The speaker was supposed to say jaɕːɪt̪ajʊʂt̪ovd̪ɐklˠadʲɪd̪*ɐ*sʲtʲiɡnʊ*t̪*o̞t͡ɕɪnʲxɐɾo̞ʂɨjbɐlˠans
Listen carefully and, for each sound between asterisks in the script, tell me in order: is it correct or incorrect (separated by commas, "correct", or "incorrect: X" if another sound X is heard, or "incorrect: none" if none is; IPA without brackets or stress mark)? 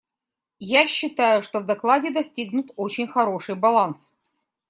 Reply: correct, correct